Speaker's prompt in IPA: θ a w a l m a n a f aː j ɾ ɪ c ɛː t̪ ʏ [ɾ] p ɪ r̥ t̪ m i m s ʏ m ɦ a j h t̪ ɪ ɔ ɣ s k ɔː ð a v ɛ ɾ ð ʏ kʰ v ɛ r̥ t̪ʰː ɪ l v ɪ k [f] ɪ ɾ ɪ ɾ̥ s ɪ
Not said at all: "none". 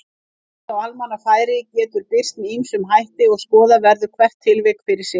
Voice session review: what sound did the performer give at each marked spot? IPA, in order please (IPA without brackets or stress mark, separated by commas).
ɾ, f